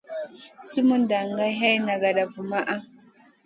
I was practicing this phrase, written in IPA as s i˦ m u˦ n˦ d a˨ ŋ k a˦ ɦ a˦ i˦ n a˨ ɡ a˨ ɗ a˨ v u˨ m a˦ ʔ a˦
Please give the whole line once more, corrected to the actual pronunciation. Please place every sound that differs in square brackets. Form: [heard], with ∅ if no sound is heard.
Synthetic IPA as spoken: s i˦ m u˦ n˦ d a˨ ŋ [ɡ] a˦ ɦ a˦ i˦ n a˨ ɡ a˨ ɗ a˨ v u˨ m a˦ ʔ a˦